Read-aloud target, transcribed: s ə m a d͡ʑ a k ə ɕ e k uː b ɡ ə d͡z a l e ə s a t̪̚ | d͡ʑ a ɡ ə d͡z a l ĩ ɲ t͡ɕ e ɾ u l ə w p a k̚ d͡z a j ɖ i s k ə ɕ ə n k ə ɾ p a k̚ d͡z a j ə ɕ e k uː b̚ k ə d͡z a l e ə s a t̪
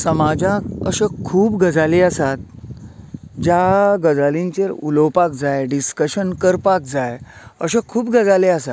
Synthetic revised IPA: s ə m a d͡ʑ a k ə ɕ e kʰ uː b ɡ ə d͡z a l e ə s a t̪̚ | d͡ʑ a ɡ ə d͡z a l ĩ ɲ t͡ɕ e ɾ u l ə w p a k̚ d͡z a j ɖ i s k ə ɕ ə n k ə ɾ p a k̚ d͡z a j ə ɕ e kʰ uː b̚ ɡ ə d͡z a l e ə s a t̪